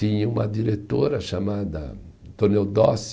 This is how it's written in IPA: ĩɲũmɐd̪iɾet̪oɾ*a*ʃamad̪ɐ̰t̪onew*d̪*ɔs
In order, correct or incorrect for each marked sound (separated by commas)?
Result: incorrect, correct